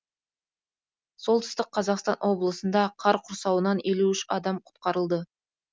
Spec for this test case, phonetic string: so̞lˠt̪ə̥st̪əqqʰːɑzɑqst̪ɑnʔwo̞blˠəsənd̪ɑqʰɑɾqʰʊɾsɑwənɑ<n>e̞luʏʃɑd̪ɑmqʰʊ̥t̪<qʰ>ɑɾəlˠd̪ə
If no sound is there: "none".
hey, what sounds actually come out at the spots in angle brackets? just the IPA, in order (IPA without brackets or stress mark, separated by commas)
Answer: n, q